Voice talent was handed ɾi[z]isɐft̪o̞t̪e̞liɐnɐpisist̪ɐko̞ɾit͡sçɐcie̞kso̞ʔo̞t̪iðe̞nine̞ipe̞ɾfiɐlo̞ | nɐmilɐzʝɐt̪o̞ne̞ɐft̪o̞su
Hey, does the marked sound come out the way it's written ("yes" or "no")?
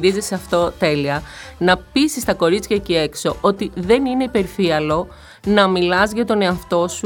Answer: yes